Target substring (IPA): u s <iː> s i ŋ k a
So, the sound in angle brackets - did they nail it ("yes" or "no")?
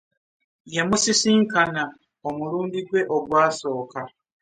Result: no